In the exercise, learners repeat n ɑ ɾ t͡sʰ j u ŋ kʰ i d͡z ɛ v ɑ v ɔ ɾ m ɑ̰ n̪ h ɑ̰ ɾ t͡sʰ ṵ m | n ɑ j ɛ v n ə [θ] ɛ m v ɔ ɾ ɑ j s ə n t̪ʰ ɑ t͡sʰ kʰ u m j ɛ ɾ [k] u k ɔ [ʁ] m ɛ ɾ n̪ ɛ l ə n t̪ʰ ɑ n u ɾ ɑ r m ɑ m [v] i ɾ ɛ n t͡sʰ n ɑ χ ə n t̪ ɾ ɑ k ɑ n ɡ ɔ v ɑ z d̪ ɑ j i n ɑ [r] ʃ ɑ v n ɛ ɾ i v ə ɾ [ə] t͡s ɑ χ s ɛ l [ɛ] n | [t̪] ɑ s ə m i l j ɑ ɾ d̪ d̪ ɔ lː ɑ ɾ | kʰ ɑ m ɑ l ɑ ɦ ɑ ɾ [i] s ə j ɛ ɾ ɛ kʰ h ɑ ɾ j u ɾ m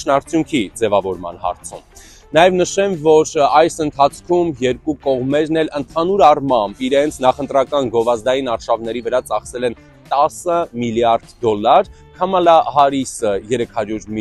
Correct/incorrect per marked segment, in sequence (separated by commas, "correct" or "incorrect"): incorrect, correct, correct, incorrect, incorrect, incorrect, correct, correct, correct